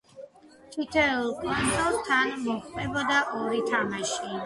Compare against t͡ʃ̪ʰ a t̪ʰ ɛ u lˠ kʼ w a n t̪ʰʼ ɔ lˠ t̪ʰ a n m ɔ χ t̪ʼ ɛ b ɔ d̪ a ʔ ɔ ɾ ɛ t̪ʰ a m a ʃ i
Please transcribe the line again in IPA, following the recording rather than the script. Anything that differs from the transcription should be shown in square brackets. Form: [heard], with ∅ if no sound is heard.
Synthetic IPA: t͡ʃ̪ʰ [i] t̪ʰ ɛ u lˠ kʼ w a n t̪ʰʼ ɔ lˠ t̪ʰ a n m ɔ χ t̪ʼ ɛ b ɔ d̪ a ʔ ɔ ɾ [i] t̪ʰ a m a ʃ i